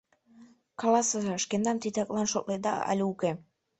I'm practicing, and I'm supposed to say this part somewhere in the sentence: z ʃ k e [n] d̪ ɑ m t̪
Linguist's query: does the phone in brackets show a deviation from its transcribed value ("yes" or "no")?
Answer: no